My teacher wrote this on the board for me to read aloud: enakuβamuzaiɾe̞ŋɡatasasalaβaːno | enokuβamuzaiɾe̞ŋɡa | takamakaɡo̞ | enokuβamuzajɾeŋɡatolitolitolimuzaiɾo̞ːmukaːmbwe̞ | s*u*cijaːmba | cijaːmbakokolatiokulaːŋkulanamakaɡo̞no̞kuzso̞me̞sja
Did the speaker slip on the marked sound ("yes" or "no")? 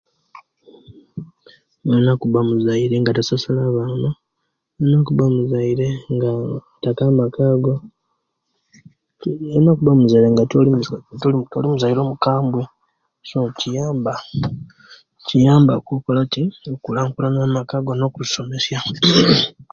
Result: yes